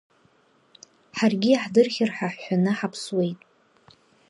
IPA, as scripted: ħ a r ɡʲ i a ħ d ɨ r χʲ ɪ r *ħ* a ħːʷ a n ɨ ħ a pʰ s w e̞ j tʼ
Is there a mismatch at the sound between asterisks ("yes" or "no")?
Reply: no